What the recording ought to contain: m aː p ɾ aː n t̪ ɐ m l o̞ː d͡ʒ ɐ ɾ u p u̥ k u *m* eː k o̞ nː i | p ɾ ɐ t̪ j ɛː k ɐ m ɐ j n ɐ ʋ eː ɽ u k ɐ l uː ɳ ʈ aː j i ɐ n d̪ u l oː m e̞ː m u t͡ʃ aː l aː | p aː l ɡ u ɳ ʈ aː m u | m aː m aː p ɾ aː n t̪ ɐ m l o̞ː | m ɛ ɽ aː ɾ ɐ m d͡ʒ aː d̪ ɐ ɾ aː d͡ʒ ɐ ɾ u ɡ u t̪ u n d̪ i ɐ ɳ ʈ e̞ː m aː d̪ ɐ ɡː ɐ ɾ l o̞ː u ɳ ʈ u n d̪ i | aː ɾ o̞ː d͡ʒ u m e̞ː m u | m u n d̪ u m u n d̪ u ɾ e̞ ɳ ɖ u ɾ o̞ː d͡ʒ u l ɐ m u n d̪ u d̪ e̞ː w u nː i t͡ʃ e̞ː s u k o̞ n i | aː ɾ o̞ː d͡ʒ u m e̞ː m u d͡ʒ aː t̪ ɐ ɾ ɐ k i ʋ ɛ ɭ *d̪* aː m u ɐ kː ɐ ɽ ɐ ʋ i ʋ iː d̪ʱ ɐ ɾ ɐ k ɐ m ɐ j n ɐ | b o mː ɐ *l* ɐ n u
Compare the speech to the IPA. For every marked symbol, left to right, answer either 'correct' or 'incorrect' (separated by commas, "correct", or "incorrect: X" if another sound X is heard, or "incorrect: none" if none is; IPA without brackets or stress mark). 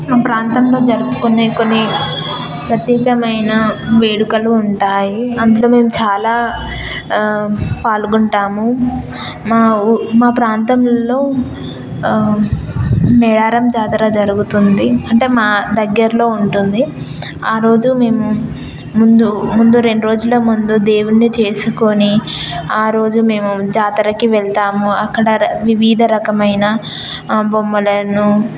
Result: incorrect: n, incorrect: t̪, correct